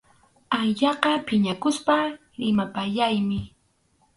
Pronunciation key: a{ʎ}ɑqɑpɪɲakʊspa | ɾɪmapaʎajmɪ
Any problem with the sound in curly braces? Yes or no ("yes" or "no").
no